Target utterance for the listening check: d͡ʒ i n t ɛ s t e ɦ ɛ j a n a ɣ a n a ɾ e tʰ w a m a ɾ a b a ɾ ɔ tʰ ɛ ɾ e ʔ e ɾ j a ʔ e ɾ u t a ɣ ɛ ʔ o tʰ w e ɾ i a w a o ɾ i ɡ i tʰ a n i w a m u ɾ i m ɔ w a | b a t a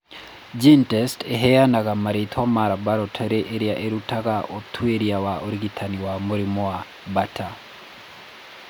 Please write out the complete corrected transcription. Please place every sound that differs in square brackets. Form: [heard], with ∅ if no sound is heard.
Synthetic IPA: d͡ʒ i n t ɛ s t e ɦ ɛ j a n a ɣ a [m] a ɾ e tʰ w a m a ɾ a b a ɾ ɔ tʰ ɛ ɾ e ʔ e ɾ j a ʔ e ɾ u t a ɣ [a] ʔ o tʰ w e ɾ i a w a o ɾ i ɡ i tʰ a n i w a m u ɾ i m ɔ w a | b a t a